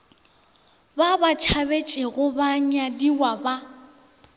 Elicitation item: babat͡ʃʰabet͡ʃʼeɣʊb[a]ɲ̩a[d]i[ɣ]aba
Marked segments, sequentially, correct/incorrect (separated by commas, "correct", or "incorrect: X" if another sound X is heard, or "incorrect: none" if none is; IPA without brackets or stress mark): correct, correct, incorrect: w